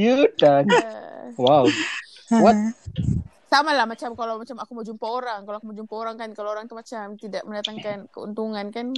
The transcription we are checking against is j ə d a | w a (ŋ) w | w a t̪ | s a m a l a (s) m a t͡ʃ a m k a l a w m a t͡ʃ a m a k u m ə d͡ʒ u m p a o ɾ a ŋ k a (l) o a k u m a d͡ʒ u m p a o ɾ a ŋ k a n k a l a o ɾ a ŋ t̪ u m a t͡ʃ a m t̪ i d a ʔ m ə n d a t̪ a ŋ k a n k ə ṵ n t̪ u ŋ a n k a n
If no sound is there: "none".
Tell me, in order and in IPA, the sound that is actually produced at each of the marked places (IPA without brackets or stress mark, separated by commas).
none, h, l